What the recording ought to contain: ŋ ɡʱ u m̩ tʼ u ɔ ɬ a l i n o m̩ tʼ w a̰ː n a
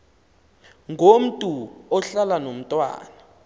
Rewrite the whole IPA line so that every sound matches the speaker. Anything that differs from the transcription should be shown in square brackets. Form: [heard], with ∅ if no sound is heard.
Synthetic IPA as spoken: ŋ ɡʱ [o] m̩ tʼ u ɔ ɬ a l [a] n o m̩ tʼ w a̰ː n a